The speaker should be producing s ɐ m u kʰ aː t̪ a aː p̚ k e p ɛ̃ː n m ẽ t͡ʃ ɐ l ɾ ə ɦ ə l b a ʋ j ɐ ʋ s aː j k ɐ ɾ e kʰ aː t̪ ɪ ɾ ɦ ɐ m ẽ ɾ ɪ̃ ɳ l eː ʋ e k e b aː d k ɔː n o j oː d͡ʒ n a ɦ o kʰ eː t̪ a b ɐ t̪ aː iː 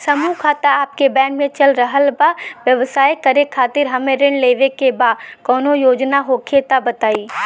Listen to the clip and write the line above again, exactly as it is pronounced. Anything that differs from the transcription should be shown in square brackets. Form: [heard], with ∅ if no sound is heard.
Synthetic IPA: s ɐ m u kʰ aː t̪ a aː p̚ k e [b] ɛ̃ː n m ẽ t͡ʃ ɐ l ɾ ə ɦ ə l b a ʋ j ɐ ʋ s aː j k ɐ ɾ e kʰ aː t̪ ɪ ɾ ɦ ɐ m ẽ ɾ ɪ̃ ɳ l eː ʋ e k e b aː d k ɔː n o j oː d͡ʒ n a ɦ o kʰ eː t̪ a b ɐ t̪ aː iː